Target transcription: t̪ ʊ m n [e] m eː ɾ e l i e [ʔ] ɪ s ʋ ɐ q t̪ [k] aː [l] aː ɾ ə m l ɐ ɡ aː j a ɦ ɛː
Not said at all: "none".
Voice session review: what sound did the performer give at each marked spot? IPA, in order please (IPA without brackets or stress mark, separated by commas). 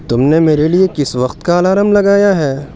e, k, k, l